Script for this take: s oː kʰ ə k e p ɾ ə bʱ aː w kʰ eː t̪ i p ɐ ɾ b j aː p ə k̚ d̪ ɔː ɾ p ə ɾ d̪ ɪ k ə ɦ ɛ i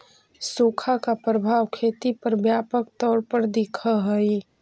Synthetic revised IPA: s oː kʰ a k a p ɾ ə bʱ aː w kʰ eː t̪ i p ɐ ɾ b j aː p ə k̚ t̪ ɔː ɾ p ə ɾ d̪ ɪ kʰ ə ɦ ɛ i

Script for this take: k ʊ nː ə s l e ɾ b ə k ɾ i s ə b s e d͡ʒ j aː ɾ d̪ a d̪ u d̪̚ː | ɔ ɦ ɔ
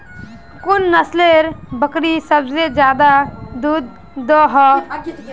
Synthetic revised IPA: k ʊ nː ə s l e ɾ b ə k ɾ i s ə b s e d͡ʒ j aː d̪ a d̪ u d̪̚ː | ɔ ɦ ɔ

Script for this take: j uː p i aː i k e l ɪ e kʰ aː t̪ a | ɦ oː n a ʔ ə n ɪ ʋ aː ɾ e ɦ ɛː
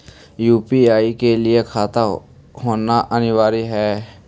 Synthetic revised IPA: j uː p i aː i k e l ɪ e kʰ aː t̪ a | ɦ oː n a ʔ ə n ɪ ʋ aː ɾ i ɦ ɛː

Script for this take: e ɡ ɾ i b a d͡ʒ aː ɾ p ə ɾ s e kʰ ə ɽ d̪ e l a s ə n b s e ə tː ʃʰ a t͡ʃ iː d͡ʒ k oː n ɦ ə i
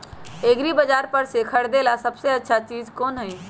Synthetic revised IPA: e ɡ ɾ i b ə d͡ʒ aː ɾ p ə ɾ s e kʰ ə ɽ d̪ e l a s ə b s e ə tː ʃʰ a t͡ʃ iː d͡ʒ k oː n ɦ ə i

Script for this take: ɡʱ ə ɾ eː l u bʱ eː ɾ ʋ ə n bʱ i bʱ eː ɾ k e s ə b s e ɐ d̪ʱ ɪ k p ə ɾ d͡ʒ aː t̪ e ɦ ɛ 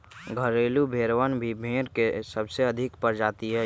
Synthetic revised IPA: ɡʱ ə ɾ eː l u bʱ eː ɾ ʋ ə n bʱ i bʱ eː ɾ k e s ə b s e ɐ d̪ʱ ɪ k p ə ɾ d͡ʒ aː t̪ i ɦ ɛ

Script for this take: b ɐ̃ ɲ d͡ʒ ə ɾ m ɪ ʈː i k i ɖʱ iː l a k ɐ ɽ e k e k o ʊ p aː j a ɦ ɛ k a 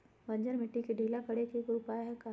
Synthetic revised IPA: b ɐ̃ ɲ d͡ʒ ə ɾ m ɪ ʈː i k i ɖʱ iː l a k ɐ ɽ e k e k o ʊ p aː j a ɦ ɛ k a

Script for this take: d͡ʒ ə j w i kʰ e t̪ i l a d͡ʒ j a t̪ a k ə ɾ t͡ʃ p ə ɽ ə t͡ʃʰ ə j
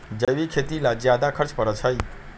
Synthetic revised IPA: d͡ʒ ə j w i kʰ e t̪ i l a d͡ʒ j a d̪ a kʰ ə ɾ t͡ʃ p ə ɾ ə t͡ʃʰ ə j

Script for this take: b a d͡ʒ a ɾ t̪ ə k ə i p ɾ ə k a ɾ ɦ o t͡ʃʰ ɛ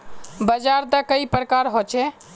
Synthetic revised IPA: b ə d͡ʒ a ɾ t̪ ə k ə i p ɾ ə k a ɾ ɦ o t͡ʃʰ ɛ

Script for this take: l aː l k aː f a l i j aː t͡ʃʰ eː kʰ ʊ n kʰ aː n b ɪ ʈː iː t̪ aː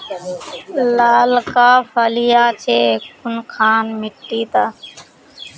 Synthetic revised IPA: l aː l k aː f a l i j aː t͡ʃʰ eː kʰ ʊ n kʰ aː n m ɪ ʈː iː t̪ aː

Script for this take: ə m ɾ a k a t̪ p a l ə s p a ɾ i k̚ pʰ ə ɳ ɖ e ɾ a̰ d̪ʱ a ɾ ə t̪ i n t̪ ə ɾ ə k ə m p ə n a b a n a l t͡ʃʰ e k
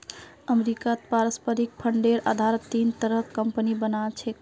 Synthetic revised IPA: ə m ɾ i k a t̪ p a ɾ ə s p ə ɾ i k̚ pʰ ə ɳ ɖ e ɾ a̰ d̪ʱ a ɾ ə t̪ i n t̪ ə ɾ ə k ə m p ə n i b ə n a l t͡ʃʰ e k

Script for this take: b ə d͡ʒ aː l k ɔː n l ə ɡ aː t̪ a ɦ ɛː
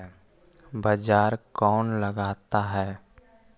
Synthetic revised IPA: b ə d͡ʒ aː ɾ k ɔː n l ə ɡ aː t̪ a ɦ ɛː

